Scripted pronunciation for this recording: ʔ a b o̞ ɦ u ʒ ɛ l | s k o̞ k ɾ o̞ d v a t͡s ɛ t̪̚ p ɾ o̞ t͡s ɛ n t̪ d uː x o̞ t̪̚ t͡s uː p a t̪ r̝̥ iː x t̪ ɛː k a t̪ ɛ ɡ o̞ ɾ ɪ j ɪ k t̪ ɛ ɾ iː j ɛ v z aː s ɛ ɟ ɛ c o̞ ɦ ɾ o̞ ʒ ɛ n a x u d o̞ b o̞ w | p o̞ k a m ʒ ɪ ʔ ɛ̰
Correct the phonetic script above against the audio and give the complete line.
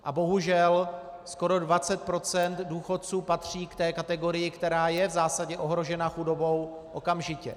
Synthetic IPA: ʔ a b o̞ ɦ u ʒ ɛ l | s k o̞ ɾ o̞ d v a t͡s ɛ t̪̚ p ɾ o̞ t͡s ɛ n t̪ d uː x o̞ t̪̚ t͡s uː p a t̪ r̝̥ iː k t̪ ɛː k a t̪ ɛ ɡ o̞ ɾ ɪ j ɪ k t̪ ɛ ɾ aː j ɛ v z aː s a ɟ ɛ ʔ o̞ ɦ ɾ o̞ ʒ ɛ n a x u d o̞ b o̞ w | ʔ o̞ k a m ʒ ɪ c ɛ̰